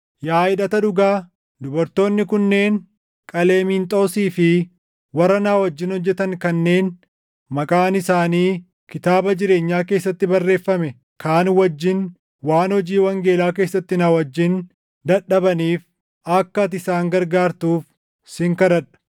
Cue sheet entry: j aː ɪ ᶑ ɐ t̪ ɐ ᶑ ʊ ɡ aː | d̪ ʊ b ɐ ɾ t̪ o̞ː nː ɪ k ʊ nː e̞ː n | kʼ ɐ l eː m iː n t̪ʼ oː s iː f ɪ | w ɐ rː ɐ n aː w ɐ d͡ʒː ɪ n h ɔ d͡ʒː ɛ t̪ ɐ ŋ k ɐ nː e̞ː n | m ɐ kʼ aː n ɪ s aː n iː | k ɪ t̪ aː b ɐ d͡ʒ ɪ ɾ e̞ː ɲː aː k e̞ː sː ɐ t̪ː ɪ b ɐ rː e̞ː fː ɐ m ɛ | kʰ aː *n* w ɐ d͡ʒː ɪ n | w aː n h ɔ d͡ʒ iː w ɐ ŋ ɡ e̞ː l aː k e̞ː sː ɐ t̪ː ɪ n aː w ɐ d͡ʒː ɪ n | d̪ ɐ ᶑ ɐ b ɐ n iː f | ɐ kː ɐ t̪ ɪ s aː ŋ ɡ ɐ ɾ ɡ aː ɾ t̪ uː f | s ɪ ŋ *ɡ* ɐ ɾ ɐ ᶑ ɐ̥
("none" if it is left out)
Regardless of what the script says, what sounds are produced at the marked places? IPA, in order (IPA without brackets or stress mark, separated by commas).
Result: n, k